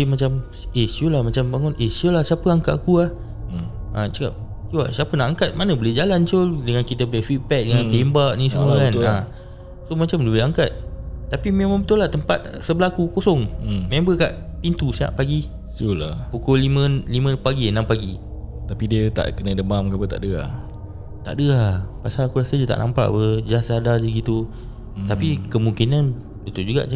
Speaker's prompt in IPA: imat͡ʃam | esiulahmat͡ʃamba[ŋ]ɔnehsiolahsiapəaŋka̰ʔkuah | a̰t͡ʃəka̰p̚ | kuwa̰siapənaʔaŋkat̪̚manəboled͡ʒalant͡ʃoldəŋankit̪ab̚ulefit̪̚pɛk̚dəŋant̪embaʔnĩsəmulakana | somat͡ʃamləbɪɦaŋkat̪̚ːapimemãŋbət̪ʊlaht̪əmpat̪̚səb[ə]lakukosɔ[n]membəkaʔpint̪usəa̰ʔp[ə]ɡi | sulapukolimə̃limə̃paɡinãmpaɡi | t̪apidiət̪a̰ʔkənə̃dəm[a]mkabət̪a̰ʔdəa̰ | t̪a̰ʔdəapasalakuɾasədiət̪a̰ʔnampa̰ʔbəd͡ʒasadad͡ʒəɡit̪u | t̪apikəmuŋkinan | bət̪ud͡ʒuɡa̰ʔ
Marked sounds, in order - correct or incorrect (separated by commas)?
correct, correct, incorrect, incorrect, correct